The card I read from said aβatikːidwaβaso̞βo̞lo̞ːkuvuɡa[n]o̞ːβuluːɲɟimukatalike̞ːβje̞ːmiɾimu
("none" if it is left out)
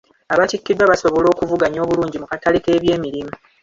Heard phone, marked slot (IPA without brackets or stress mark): ɲ